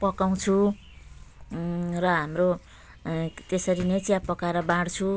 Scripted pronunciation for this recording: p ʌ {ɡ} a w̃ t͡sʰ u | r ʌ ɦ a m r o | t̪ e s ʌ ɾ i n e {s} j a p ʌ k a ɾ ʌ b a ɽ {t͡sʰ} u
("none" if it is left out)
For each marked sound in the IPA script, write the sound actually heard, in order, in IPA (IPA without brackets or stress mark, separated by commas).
k, t͡s, t͡sʰ